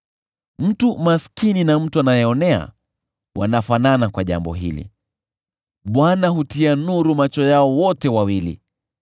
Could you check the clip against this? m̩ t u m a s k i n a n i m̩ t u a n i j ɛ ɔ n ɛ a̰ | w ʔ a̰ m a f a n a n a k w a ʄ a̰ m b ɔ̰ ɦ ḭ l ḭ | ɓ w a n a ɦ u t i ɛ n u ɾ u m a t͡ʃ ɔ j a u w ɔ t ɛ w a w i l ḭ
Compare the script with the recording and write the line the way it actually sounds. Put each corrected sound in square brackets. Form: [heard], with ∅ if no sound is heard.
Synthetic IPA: m̩ t u m a s k i n [i] n [a] m̩ t u a n [a] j ɛ ɔ n ɛ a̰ | w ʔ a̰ [n] a f a n a n a k w a ʄ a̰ m b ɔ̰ ɦ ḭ l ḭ | ɓ w a n a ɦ u t i [a] n u ɾ u m a t͡ʃ ɔ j a [ɔ] w ɔ t ɛ w a w i l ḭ